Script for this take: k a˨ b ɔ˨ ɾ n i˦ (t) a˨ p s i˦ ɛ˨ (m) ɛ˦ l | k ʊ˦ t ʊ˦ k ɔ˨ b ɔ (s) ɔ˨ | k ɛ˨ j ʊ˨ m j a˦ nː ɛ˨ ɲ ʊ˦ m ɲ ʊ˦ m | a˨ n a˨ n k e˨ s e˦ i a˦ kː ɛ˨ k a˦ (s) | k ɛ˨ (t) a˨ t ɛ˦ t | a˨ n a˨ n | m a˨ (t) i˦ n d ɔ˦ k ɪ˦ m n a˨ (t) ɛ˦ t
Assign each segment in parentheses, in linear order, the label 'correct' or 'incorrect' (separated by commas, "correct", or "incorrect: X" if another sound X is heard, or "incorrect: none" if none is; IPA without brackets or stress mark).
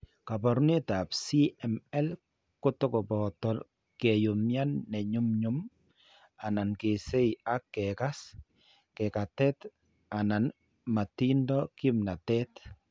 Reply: correct, correct, incorrect: t, correct, incorrect: k, correct, correct